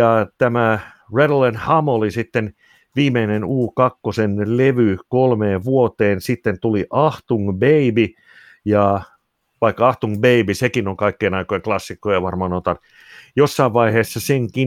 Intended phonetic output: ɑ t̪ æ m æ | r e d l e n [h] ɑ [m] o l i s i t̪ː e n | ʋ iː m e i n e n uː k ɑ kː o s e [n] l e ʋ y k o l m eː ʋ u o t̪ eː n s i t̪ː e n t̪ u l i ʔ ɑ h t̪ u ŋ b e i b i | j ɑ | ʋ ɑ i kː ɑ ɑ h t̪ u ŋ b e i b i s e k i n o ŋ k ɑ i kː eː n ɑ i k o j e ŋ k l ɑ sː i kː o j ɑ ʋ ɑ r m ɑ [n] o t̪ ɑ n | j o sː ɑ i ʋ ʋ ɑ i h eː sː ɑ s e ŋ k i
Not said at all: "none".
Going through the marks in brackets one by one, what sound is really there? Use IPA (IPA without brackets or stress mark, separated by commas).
h, m, n, n